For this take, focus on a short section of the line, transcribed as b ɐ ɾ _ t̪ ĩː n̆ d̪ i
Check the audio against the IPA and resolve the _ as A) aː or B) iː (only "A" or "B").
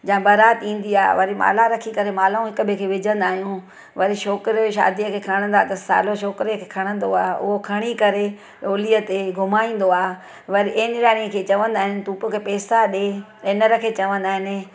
A